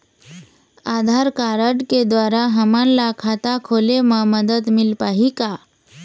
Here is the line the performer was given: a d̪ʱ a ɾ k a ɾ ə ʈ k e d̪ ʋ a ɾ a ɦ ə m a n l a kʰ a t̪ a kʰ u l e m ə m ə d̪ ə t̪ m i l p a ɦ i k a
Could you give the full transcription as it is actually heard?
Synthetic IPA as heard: a d̪ʱ a ɾ k a ɾ ə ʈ k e d̪ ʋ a ɾ a ɦ ə m a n l a kʰ a t̪ a kʰ o l e m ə m ə d̪ ə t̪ m i l p a ɦ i k a

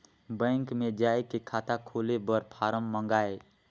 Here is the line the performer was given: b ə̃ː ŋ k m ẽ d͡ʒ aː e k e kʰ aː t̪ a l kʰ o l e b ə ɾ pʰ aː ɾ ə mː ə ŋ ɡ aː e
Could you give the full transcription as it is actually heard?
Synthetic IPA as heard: b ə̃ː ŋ k m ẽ d͡ʒ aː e k e kʰ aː t̪ a kʰ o l e b ə ɾ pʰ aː ɾ ə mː ə ŋ ɡ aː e

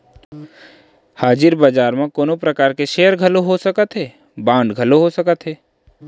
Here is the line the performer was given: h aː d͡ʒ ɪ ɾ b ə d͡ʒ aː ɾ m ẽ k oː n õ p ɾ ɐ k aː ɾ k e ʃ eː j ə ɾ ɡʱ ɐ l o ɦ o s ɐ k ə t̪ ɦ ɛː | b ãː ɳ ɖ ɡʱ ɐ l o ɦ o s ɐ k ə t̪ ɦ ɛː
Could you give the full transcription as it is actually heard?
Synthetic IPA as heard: h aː d͡ʒ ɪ ɾ b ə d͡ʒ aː ɾ m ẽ k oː n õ p ɾ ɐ k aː ɾ k e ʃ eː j ə ɾ ɡʱ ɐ l o ɦ o s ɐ k ə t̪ ɦ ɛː | b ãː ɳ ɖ ɡʱ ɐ l o ɦ o s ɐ k ə t̪ ɦ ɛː

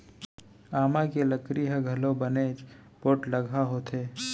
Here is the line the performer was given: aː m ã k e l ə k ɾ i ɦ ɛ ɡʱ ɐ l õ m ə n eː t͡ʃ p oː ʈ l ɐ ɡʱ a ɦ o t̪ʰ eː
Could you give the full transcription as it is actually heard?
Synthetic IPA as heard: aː m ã k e l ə k ɾ i ɦ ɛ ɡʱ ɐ l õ b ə n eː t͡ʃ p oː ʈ l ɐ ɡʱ a ɦ o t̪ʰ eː

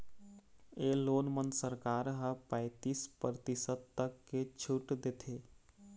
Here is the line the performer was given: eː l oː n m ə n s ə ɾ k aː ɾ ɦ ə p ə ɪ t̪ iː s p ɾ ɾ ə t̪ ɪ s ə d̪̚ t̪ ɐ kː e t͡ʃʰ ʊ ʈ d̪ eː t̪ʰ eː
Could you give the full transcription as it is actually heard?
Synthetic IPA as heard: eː l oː n m ə n s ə ɾ k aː ɾ ɦ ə p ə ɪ t̪ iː s p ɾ ɾ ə t̪ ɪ s ə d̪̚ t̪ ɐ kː e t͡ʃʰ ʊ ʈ d̪ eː t̪ʰ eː

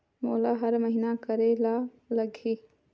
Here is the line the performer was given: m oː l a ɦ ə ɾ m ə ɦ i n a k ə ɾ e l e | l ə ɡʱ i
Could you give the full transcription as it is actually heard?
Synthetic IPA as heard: m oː l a ɦ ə ɾ m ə ɦ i n a k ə ɾ e l a | l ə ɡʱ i

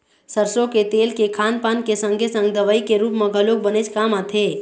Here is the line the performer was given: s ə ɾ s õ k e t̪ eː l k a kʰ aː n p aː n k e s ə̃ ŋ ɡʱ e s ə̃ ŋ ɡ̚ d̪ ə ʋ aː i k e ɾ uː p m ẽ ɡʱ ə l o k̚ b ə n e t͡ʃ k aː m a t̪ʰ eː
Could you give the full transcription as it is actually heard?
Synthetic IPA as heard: s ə ɾ s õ k e t̪ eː l k e kʰ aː n p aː n k e s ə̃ ŋ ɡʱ e s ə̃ ŋ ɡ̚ d̪ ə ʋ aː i k e ɾ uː p m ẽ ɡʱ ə l o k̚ b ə n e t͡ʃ k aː m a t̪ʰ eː

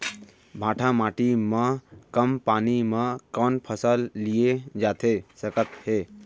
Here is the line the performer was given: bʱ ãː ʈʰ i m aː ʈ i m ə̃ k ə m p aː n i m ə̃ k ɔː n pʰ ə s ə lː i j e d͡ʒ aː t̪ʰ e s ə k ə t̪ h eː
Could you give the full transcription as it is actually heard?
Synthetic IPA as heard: bʱ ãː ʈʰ a m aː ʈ i m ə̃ k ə m p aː n i m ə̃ k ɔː n pʰ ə s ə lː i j e d͡ʒ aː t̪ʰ e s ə k ə t̪ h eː

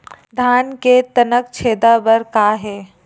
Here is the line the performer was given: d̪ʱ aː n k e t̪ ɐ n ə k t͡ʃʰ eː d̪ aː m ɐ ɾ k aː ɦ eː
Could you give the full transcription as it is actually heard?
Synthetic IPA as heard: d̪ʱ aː n k e t̪ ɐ n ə k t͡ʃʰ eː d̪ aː b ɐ ɾ k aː ɦ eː

